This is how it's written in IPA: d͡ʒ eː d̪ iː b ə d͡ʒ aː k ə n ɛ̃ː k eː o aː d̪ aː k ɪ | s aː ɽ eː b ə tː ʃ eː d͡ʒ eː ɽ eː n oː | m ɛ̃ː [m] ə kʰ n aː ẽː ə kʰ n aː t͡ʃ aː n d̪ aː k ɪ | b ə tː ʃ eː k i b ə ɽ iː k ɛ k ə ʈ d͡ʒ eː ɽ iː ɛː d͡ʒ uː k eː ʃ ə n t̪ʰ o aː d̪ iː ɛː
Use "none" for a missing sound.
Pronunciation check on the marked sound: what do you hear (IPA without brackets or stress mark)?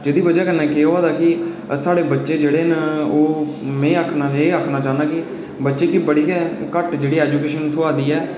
none